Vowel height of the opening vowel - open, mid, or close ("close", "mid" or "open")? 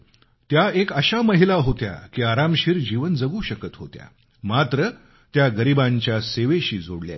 open